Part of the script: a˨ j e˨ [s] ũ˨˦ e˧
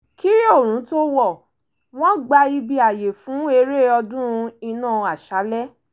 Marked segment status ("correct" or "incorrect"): incorrect